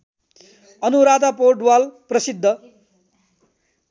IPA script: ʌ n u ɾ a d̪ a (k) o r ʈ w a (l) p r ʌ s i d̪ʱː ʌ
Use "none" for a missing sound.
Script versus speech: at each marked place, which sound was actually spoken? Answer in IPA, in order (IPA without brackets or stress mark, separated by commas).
p, l